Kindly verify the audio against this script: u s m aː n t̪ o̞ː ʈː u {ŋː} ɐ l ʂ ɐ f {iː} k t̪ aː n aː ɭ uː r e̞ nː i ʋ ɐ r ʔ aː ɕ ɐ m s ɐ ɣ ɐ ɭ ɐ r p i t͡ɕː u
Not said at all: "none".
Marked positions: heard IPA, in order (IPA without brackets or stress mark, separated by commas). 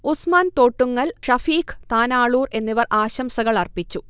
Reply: ŋː, iː